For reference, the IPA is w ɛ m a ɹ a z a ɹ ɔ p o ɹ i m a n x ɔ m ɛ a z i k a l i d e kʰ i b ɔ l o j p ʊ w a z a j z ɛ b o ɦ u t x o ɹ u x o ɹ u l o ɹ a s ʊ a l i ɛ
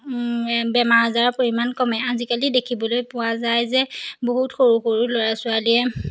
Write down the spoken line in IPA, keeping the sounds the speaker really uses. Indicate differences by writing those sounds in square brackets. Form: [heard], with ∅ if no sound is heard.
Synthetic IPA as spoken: [b] ɛ m a ɹ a z a ɹ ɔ p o ɹ i m a n [k] ɔ m ɛ a z i k a l i d e kʰ i b ɔ l o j p ʊ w a z a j z ɛ b o ɦ u t x o ɹ u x o ɹ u l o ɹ a s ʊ a l i ɛ